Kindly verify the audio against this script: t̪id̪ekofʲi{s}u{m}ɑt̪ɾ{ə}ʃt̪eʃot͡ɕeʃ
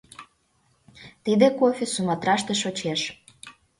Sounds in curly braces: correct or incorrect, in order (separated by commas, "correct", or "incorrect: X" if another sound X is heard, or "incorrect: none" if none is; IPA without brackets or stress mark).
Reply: correct, correct, incorrect: ɑ